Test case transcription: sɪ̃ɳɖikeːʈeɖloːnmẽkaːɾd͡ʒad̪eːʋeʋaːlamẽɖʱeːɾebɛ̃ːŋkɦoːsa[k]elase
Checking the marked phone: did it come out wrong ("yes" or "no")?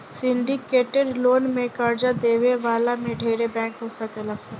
no